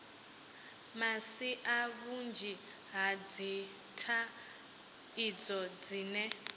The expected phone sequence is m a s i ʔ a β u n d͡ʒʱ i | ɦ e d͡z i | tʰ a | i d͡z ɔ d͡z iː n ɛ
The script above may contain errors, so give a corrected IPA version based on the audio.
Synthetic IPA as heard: m a s i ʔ a β u n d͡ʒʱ i | ɦ a d͡z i | tʰ a | i d͡z ɔ d͡z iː n ɛ

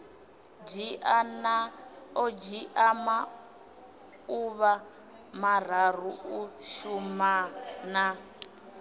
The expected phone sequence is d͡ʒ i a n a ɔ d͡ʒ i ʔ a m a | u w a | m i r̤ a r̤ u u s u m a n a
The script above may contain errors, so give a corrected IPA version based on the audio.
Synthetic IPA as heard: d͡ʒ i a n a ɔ d͡ʒ i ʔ a m a | u β a | m a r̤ a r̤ u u ʃ u m a n a

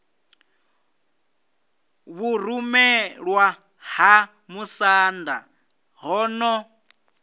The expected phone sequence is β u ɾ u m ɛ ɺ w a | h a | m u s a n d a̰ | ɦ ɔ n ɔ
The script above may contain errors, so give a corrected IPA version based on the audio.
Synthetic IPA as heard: β u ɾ u m ɛ ɺ w a | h a | m u s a n d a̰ | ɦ ɔ n ɔ

